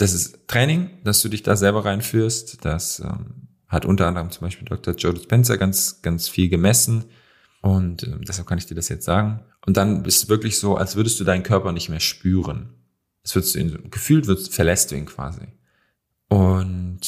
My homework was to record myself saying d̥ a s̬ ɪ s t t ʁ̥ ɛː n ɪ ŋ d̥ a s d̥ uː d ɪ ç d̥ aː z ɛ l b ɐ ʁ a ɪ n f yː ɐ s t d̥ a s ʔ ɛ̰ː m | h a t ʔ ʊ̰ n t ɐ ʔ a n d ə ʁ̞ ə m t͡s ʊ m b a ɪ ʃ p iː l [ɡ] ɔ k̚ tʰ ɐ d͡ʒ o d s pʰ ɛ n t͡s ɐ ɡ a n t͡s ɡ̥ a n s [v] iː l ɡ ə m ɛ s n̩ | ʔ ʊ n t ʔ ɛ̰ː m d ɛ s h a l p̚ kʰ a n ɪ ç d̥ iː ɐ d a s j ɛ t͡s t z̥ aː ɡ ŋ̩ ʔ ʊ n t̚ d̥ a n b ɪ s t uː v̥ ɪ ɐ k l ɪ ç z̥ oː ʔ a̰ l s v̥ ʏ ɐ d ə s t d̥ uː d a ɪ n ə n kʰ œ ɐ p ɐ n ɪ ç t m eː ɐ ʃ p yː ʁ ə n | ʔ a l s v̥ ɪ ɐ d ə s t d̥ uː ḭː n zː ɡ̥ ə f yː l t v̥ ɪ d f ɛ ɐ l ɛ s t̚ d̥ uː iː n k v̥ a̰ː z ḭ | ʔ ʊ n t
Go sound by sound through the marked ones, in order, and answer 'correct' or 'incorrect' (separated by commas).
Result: incorrect, incorrect